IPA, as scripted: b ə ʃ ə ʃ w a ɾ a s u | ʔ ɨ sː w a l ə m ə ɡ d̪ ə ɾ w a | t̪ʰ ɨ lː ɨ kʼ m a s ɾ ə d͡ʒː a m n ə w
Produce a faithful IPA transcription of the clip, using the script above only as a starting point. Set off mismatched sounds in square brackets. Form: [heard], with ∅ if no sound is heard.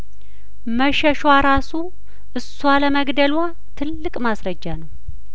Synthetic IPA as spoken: [m] ə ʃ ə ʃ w a ɾ a s u | ʔ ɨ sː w a l ə m ə ɡ d̪ ə [l] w a | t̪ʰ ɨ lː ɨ kʼ m a s ɾ ə d͡ʒː a [∅] n ə w

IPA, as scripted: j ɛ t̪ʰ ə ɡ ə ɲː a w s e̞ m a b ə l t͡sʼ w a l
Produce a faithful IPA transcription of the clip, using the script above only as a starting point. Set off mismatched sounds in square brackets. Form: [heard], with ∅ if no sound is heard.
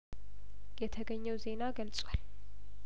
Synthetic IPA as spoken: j ɛ t̪ʰ ə ɡ ə ɲː [ɛ] w [z] e̞ [n] a [ɡ] ə l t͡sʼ w a l

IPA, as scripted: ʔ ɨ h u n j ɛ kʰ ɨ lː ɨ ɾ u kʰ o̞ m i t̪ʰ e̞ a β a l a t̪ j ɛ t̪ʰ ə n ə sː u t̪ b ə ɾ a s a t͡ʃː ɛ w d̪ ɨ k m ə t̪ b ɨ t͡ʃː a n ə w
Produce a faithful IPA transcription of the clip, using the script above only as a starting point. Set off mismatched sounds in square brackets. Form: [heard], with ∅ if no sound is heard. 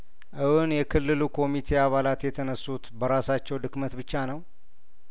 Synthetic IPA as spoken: ʔ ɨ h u n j ɛ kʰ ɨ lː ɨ [l] u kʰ o̞ m i t̪ʰ e̞ a β a l a t̪ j ɛ t̪ʰ ə n ə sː u t̪ b ə ɾ a s a t͡ʃː ɛ w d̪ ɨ k m ə t̪ b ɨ t͡ʃː a n ə w

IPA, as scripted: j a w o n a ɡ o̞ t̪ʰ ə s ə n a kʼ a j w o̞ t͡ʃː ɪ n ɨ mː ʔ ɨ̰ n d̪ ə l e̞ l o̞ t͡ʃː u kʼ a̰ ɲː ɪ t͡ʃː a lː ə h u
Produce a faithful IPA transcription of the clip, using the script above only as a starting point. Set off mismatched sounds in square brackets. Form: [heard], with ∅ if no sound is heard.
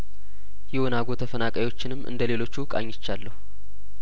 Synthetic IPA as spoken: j [ɛ] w o n a ɡ o̞ t̪ʰ ə [f] ə n a kʼ a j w o̞ t͡ʃː ɪ n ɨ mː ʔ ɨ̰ n d̪ ə l e̞ l o̞ t͡ʃː u kʼ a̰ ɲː ɪ t͡ʃː a lː ə h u

